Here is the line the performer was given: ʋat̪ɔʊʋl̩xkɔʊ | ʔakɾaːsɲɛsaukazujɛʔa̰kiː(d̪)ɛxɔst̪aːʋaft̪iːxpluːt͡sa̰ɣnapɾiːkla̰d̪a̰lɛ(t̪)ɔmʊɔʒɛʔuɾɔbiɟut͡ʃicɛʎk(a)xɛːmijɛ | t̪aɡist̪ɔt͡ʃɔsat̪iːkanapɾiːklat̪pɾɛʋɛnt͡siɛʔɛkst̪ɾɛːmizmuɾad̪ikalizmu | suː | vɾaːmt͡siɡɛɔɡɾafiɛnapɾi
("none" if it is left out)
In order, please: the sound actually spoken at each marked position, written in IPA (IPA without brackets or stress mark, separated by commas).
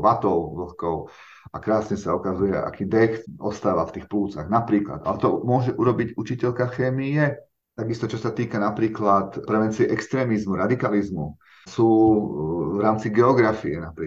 d̪, t̪, a